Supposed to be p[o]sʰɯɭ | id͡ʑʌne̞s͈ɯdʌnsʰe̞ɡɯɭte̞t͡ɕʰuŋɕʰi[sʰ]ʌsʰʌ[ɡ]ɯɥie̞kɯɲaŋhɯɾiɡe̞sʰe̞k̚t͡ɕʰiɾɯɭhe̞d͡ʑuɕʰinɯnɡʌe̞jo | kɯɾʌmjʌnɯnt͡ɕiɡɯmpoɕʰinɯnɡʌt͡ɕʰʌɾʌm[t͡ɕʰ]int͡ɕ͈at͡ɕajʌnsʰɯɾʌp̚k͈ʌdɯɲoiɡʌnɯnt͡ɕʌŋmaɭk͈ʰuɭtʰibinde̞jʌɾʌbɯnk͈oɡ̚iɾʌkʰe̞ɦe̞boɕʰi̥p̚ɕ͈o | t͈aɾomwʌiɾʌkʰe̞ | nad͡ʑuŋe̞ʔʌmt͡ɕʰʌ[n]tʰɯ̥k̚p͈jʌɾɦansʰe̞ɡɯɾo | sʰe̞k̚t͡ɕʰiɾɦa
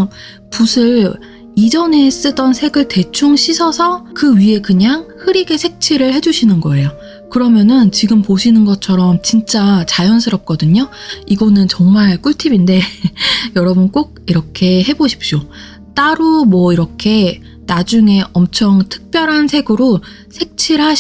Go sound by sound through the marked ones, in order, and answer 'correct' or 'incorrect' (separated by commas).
incorrect, correct, incorrect, incorrect, incorrect